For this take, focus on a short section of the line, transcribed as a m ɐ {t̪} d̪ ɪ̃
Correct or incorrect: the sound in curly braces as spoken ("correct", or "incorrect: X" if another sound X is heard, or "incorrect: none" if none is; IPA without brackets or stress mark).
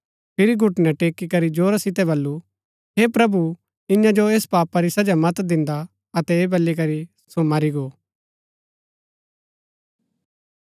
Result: correct